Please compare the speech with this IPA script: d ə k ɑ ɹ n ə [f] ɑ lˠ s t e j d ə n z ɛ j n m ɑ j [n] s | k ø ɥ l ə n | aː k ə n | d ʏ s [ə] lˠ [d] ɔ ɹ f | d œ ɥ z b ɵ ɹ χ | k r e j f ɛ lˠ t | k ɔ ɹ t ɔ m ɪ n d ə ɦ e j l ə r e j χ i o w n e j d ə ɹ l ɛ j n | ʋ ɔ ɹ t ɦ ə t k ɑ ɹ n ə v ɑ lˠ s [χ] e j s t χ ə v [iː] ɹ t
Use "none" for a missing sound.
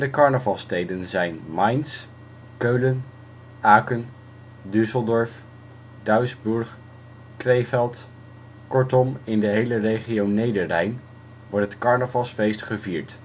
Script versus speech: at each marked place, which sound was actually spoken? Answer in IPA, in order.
v, n, ə, d, f, iː

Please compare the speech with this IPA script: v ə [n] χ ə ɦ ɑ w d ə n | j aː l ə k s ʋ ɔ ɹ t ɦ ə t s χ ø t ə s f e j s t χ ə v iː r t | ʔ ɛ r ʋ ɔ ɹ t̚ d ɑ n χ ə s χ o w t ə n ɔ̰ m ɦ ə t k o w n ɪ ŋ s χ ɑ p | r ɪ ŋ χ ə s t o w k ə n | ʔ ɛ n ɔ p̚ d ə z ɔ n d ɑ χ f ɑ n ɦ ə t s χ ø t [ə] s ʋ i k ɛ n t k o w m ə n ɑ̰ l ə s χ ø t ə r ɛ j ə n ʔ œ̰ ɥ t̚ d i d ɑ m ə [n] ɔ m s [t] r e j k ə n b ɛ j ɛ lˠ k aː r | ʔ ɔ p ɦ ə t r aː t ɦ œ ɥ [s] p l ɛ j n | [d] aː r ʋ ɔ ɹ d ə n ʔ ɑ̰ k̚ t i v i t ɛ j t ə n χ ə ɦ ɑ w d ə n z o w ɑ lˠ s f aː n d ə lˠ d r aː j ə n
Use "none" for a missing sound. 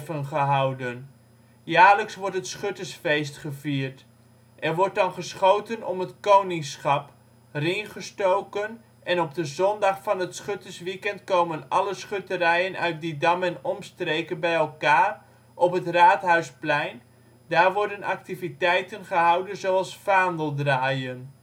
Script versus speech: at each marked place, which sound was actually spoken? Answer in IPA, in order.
n, ə, n, t, s, d

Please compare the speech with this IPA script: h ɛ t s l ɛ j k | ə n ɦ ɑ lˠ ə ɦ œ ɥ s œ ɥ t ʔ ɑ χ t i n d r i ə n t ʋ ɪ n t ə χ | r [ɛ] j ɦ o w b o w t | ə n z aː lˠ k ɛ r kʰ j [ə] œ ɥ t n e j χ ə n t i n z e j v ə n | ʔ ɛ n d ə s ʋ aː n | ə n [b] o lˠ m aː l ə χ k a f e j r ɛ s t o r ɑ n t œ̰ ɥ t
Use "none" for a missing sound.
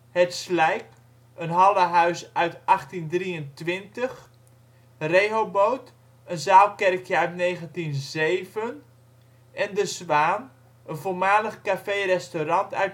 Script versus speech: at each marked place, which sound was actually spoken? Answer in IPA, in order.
e, ə, v

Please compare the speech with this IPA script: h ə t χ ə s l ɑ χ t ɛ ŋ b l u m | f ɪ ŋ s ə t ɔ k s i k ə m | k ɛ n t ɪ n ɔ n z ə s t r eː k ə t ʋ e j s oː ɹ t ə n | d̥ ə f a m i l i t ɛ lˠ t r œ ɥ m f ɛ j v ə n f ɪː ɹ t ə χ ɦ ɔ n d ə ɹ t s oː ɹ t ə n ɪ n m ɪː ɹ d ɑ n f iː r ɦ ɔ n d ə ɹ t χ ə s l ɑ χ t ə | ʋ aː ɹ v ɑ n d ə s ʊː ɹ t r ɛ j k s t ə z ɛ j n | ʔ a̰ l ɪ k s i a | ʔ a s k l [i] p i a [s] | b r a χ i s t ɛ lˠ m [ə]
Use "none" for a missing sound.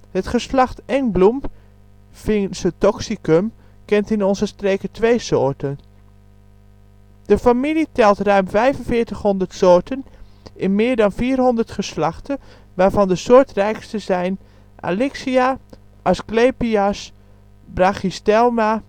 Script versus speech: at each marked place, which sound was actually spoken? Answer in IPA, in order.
e, s, a

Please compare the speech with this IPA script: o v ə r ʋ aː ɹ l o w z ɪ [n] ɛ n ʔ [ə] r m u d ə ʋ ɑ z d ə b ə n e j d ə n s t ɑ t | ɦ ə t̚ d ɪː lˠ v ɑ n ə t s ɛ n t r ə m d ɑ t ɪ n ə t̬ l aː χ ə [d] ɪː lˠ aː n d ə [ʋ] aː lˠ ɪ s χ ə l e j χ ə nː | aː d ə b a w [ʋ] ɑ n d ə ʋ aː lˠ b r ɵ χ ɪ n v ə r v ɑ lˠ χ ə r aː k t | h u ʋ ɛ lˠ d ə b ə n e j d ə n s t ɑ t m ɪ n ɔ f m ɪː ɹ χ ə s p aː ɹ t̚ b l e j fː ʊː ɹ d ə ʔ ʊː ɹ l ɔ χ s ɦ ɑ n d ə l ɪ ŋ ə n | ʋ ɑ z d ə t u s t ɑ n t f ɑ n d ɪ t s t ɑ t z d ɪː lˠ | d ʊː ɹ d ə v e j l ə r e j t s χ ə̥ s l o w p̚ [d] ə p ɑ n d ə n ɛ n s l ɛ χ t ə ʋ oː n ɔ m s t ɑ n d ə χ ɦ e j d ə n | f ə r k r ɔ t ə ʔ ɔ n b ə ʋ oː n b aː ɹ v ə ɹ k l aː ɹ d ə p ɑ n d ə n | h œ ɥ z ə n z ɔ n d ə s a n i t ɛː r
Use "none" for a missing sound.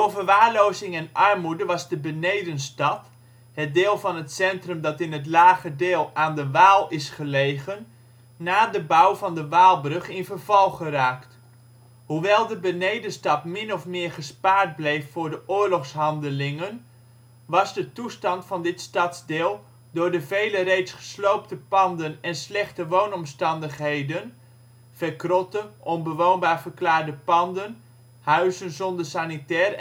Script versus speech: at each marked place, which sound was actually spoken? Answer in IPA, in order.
ŋ, ɑ, d, ʋ, v, t

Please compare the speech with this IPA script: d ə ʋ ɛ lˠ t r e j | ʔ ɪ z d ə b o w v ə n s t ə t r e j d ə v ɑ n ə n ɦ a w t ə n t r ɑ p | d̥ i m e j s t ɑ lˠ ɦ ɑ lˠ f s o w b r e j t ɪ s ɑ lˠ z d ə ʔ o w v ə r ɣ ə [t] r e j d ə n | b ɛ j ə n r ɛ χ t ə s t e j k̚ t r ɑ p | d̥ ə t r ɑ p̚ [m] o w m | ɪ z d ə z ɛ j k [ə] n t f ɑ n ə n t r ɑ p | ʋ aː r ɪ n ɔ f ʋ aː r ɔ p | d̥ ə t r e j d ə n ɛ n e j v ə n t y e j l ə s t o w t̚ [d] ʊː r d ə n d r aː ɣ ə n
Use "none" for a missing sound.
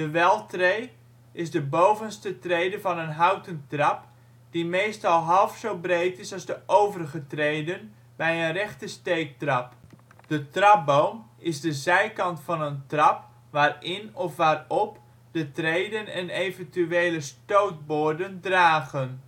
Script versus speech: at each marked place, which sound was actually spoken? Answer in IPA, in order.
t, b, ɑ, b

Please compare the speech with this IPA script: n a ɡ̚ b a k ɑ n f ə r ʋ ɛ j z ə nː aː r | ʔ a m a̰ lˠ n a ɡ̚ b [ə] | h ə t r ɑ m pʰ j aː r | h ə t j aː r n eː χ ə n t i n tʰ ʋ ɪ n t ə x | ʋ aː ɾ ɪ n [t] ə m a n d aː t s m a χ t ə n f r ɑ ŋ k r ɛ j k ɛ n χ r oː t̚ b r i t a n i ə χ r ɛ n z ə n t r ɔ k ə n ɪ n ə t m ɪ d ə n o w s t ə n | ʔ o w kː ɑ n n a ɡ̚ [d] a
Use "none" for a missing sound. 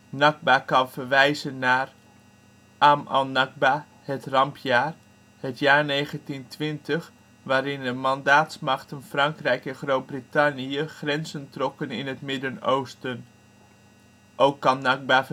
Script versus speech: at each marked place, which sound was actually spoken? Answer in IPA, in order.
a, d, b

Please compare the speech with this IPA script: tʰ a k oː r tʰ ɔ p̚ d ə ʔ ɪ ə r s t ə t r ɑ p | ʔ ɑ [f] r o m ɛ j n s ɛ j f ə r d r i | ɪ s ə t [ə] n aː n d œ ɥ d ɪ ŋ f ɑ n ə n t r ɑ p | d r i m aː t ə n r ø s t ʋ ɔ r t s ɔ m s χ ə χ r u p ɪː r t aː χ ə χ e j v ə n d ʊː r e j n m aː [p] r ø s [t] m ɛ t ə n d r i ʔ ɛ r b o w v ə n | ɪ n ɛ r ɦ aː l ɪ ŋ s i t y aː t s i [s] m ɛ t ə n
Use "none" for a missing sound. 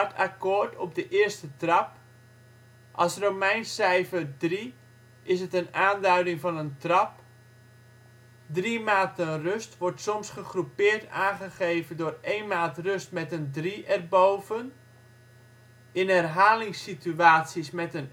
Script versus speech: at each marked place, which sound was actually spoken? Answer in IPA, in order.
s, ə, t, t, s

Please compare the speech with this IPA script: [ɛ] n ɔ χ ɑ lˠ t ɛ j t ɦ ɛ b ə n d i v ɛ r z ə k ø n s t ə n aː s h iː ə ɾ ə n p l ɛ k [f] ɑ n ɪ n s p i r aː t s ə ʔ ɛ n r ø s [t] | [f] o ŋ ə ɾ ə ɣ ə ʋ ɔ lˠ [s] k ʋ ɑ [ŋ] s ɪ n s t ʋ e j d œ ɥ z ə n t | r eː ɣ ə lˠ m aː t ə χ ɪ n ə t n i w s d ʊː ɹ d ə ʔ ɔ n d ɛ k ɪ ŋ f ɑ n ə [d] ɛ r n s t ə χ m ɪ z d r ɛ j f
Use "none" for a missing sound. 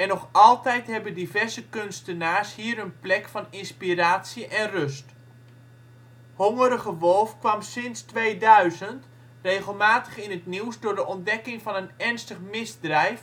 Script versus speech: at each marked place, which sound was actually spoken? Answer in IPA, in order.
ɛ, f, t, h, f, m, n

